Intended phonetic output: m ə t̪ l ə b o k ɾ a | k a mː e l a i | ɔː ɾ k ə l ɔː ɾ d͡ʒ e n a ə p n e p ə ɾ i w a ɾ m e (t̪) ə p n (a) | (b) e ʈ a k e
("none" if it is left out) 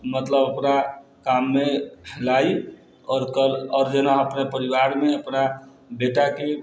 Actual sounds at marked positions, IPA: none, a, b

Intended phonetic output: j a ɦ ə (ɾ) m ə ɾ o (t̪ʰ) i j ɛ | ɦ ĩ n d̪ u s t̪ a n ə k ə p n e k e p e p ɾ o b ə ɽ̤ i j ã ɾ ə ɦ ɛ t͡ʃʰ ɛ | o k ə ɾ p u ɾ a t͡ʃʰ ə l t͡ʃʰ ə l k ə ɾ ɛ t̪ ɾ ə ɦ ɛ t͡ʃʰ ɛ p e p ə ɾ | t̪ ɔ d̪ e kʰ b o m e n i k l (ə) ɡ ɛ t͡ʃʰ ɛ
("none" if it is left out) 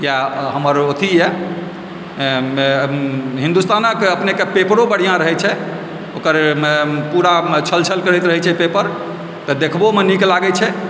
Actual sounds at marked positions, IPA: none, t̪ʰ, a

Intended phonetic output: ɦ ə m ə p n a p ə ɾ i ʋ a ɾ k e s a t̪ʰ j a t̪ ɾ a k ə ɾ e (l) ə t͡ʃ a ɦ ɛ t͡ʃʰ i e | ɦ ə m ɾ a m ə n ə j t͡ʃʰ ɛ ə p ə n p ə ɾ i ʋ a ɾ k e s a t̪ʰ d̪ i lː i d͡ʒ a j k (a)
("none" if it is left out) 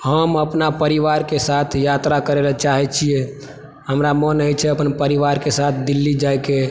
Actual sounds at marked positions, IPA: l, e

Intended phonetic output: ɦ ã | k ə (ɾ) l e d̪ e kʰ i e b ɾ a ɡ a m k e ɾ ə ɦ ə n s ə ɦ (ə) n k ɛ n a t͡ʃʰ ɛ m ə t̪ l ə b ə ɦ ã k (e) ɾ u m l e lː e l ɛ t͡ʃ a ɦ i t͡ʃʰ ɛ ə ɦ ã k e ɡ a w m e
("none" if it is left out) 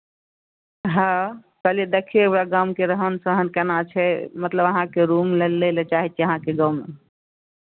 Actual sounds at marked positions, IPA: none, ə, e

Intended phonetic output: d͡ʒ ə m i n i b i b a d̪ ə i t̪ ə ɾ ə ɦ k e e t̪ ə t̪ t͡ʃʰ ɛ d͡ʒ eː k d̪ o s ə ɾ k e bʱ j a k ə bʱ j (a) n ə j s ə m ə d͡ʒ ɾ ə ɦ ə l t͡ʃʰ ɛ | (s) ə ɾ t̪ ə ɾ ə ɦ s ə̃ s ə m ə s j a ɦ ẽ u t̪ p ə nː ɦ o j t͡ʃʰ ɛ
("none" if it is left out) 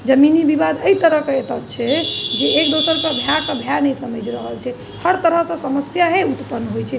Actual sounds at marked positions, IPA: a, h

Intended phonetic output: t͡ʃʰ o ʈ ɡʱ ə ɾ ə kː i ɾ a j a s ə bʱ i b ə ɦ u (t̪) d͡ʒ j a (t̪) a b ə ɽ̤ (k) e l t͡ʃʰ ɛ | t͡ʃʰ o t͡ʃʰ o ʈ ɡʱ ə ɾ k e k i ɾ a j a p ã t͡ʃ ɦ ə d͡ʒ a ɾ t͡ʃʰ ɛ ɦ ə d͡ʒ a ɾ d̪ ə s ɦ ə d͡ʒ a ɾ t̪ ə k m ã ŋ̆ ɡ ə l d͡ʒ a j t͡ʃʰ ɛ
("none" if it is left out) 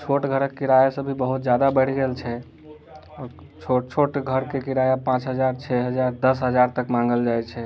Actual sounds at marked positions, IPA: t̪, d̪, ɡ

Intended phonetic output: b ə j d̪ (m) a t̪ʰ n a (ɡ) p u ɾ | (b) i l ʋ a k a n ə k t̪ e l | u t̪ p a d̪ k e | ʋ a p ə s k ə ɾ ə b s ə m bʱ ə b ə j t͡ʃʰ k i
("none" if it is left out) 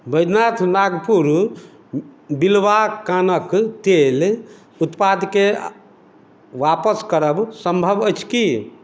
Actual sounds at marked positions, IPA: n, ɡ, b

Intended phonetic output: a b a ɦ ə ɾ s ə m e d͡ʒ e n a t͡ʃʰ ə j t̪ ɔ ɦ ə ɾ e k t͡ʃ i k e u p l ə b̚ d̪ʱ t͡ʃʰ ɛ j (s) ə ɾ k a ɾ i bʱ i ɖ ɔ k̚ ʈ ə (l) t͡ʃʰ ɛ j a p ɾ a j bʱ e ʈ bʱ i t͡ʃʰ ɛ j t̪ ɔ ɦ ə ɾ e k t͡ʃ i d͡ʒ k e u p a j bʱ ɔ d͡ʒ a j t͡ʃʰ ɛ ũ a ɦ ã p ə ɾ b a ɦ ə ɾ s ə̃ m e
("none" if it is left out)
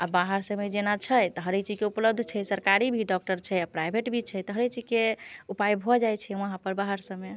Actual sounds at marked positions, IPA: s, ɾ

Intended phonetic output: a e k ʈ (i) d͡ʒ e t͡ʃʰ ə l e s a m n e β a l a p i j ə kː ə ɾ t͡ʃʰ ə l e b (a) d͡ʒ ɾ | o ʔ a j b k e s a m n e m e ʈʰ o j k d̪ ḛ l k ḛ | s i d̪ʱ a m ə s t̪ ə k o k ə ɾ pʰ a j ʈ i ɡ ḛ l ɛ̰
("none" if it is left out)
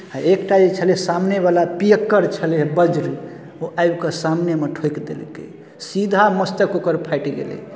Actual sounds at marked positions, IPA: a, ə

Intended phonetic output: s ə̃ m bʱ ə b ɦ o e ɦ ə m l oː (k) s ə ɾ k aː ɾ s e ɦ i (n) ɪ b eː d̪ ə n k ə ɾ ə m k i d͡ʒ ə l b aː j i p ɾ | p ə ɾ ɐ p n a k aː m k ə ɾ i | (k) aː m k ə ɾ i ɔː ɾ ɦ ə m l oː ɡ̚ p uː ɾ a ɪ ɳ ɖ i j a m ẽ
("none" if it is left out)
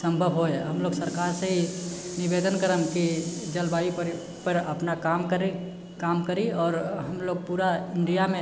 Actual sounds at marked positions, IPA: ɡ, n, k

